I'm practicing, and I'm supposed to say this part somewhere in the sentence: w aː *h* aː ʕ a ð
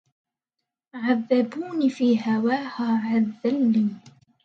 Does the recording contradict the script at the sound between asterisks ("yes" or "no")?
no